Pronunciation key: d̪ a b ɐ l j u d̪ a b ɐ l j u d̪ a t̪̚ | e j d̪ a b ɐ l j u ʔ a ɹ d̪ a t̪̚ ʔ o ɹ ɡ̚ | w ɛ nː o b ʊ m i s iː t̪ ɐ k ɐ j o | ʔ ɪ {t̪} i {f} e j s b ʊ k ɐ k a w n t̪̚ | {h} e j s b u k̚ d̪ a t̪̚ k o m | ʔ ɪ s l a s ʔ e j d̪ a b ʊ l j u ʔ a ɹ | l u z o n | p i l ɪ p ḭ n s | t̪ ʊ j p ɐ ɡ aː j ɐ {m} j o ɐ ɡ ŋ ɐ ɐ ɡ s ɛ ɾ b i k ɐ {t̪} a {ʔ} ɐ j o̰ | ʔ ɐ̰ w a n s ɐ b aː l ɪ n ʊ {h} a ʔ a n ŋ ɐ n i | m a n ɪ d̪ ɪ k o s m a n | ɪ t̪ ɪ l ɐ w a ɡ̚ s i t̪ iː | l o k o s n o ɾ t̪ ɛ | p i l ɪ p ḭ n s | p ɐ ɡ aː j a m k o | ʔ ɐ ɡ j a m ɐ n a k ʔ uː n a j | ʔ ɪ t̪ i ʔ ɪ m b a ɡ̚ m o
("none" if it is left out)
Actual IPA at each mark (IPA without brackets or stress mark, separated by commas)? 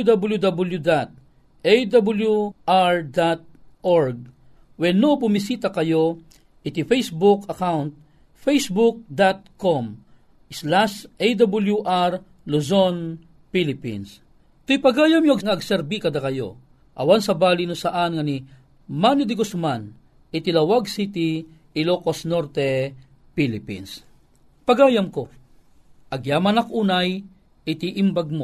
t̪, f, f, m, d̪, k, s